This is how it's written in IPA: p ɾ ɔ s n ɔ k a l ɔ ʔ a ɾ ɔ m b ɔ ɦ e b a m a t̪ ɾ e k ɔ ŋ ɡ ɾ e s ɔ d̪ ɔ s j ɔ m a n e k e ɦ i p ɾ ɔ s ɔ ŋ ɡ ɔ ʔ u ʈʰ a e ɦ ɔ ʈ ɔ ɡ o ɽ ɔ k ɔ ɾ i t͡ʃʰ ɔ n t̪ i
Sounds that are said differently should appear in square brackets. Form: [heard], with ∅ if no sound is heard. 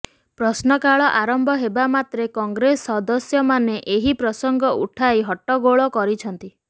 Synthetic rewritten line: p ɾ ɔ s n ɔ k a [ɭ] ɔ ʔ a ɾ ɔ m b ɔ ɦ e b a m a t̪ ɾ e k ɔ ŋ ɡ ɾ e s ɔ d̪ ɔ s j ɔ m a n e [ʔ] e ɦ i p ɾ ɔ s ɔ ŋ ɡ ɔ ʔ u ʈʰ a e ɦ ɔ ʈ ɔ ɡ o [ɭ] ɔ k ɔ ɾ i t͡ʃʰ ɔ n t̪ i

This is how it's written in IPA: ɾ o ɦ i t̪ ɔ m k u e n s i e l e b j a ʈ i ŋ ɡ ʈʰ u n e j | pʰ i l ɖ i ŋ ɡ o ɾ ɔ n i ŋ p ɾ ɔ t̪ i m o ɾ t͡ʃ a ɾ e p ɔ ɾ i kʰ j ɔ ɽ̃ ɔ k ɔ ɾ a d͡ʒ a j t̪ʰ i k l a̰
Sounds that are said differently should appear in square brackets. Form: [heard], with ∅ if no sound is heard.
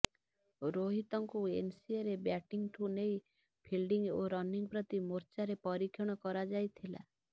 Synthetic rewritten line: ɾ o ɦ i t̪ ɔ [ŋ] k u e n s i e [ɾ] e b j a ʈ i ŋ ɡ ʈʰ u n e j | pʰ i l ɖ i ŋ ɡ o ɾ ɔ n i ŋ p ɾ ɔ t̪ i m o ɾ t͡ʃ a ɾ e p ɔ ɾ i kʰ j ɔ ɽ̃ ɔ k ɔ ɾ a d͡ʒ a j t̪ʰ i [∅] l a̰

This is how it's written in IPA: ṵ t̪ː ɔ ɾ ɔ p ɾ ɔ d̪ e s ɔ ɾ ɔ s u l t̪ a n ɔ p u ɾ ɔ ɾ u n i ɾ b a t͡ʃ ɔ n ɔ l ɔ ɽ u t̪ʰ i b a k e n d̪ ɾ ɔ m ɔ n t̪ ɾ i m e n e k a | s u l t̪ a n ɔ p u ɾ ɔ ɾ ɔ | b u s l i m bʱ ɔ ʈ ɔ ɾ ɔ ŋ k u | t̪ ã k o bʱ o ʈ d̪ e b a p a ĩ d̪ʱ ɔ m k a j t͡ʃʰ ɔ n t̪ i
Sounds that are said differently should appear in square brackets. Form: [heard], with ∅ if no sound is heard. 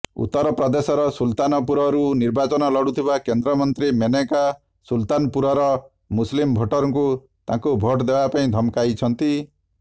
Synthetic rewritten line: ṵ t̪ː ɔ ɾ ɔ p ɾ ɔ d̪ e s ɔ ɾ ɔ s u l t̪ a n ɔ p u ɾ ɔ ɾ u n i ɾ b a t͡ʃ ɔ n ɔ l ɔ ɽ u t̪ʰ i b a k e n d̪ ɾ ɔ m ɔ n t̪ ɾ i m e n e k a | s u l t̪ a n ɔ p u ɾ ɔ ɾ ɔ | [m] u s l i m bʱ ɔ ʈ ɔ ɾ ɔ ŋ k u | t̪ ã k [u] bʱ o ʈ d̪ e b a p a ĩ d̪ʱ ɔ m k a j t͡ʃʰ ɔ n t̪ i

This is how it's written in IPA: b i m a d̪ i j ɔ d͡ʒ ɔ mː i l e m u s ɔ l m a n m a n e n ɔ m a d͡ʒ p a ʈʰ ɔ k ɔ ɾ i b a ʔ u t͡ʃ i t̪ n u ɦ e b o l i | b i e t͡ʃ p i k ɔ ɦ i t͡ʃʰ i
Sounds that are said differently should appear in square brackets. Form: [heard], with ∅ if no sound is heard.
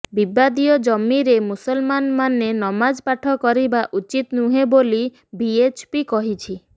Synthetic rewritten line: b i [b] a d̪ i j ɔ d͡ʒ ɔ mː i [ɾ] e m u s ɔ l m a n m a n e n ɔ m a d͡ʒ p a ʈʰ ɔ k ɔ ɾ i b a ʔ u t͡ʃ i t̪ n u ɦ e b o l i | b i e t͡ʃ p i k ɔ ɦ i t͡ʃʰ i

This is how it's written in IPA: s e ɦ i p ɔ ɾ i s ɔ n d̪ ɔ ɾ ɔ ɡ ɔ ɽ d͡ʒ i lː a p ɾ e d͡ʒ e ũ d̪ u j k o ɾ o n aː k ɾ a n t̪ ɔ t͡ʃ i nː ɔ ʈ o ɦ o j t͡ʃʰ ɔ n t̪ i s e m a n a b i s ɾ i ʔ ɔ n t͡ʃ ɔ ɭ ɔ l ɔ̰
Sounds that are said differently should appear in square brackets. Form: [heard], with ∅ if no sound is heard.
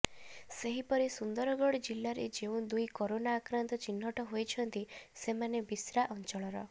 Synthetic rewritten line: s e ɦ i p ɔ ɾ i s [u] n d̪ ɔ ɾ ɔ ɡ ɔ ɽ d͡ʒ i lː a [∅] ɾ e d͡ʒ e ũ d̪ u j k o ɾ o n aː k ɾ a n t̪ ɔ t͡ʃ i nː ɔ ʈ [ɔ] ɦ o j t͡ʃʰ ɔ n t̪ i s e m a n [e] b i s ɾ [a] ʔ ɔ n t͡ʃ ɔ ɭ ɔ [ɾ] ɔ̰

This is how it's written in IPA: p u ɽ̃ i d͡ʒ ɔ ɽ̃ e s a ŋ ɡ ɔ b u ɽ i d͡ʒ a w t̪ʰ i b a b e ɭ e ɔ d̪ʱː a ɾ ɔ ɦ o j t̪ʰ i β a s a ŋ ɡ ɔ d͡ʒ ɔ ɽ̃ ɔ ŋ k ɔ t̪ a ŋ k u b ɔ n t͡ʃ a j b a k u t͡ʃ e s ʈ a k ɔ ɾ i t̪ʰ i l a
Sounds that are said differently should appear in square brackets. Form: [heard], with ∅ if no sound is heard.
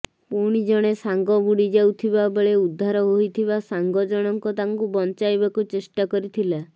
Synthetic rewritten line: p u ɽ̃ i d͡ʒ ɔ ɽ̃ e s a ŋ ɡ ɔ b u ɽ i d͡ʒ a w t̪ʰ i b a b e ɭ e [u] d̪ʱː a ɾ ɔ ɦ o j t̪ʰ i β a s a ŋ ɡ ɔ d͡ʒ ɔ ɽ̃ ɔ ŋ k ɔ t̪ a ŋ k u b ɔ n t͡ʃ a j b a k u t͡ʃ e s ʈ a k ɔ ɾ i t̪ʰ i l a

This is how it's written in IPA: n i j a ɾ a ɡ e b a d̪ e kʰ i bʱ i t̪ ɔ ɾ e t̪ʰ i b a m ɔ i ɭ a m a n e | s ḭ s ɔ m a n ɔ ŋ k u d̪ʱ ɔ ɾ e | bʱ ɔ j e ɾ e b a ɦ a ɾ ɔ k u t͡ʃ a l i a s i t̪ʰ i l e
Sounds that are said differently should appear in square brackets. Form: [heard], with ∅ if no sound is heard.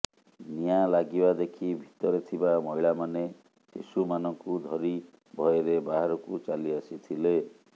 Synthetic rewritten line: n i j a [l] a ɡ [i] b a d̪ e kʰ i bʱ i t̪ ɔ ɾ e t̪ʰ i b a m ɔ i ɭ a m a n e | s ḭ s [u] m a n ɔ ŋ k u d̪ʱ ɔ ɾ [i] | bʱ ɔ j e ɾ e b a ɦ a ɾ ɔ k u t͡ʃ a l i a s i t̪ʰ i l e

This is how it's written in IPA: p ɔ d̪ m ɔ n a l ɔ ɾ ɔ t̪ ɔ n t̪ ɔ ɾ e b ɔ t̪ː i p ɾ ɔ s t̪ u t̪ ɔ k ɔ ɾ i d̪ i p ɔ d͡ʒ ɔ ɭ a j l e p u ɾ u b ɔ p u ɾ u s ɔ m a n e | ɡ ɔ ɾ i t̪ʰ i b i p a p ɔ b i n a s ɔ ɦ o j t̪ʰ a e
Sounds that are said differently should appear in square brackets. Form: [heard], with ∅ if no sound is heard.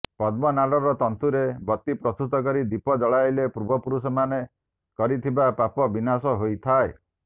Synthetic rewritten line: p ɔ d̪ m ɔ n a l ɔ ɾ ɔ t̪ ɔ n t̪ [u] ɾ e b ɔ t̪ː i p ɾ ɔ s t̪ u t̪ ɔ k ɔ ɾ i d̪ i p ɔ d͡ʒ ɔ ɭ a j l e p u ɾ u b ɔ p u ɾ u s ɔ m a n e | [k] ɔ ɾ i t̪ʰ i b [a] p a p ɔ b i n a s ɔ ɦ o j t̪ʰ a e

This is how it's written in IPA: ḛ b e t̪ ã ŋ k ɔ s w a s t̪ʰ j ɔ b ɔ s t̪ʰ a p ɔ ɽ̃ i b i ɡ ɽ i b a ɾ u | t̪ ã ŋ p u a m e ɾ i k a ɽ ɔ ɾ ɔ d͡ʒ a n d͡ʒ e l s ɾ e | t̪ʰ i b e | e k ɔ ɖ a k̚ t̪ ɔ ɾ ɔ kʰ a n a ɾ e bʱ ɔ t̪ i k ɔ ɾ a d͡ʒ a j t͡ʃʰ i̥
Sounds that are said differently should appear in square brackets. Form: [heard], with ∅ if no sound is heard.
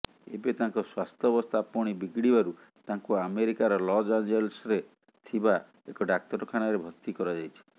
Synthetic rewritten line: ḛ b e t̪ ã ŋ k ɔ s w a s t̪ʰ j ɔ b ɔ s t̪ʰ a p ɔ ɽ̃ i b i ɡ ɽ i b a ɾ u | t̪ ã ŋ [k] u a m e ɾ i k a [ɾ] ɔ [l] ɔ d͡ʒ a n d͡ʒ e l s ɾ e | t̪ʰ i b [a] | e k ɔ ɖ a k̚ t̪ ɔ ɾ ɔ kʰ a n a ɾ e bʱ ɔ t̪ i k ɔ ɾ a d͡ʒ a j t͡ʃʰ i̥

